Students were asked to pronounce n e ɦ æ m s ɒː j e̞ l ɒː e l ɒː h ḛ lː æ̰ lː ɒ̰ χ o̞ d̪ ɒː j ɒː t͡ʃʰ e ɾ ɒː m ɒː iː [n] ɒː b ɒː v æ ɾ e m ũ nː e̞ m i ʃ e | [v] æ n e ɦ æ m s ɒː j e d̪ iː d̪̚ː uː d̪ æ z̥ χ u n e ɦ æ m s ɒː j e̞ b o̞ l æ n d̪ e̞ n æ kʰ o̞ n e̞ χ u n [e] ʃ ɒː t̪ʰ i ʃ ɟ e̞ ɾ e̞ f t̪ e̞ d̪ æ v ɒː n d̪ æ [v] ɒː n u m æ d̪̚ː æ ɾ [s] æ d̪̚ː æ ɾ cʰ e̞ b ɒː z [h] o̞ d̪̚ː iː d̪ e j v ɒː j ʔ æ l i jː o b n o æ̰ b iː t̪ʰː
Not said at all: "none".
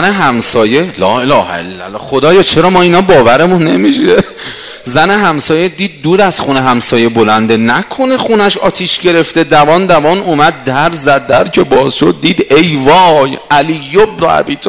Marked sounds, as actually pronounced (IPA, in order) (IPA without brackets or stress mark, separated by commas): n, z, æ, v, z, ʃ